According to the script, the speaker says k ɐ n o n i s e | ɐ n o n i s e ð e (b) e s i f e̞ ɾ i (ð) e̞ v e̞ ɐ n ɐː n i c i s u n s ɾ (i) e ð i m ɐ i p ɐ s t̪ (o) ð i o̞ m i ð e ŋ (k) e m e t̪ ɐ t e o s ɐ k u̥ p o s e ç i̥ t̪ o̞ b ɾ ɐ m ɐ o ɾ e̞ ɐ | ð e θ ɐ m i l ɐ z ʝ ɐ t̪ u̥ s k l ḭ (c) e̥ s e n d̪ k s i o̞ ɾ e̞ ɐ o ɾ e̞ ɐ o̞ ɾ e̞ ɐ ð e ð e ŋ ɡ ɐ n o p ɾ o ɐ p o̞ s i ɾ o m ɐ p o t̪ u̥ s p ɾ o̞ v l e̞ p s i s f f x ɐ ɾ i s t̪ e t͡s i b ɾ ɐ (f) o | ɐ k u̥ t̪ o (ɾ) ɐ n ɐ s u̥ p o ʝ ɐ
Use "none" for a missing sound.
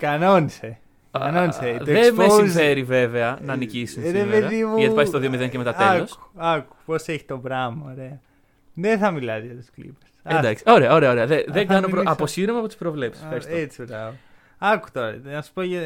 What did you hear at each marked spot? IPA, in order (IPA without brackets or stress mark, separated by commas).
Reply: m, v, e, o, c, p, v, ɾ